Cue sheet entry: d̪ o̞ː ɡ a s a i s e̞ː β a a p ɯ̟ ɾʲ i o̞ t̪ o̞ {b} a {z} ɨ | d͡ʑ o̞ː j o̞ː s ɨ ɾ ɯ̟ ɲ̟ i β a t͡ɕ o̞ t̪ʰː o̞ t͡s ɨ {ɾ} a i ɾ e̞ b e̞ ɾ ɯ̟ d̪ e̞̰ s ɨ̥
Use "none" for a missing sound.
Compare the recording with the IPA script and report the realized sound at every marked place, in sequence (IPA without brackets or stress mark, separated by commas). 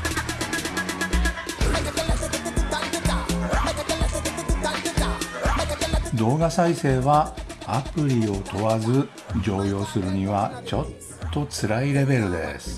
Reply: β, z, ɾ